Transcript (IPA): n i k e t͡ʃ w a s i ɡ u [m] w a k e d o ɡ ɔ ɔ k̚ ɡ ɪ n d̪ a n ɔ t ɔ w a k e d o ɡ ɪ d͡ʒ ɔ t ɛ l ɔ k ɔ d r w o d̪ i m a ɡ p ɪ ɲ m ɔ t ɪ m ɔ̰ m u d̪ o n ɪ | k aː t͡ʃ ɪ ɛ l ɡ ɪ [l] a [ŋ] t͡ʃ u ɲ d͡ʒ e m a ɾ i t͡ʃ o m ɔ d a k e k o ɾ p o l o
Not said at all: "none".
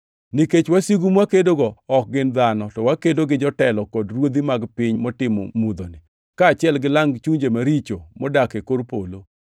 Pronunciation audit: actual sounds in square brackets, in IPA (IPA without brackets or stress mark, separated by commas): m, l, ŋ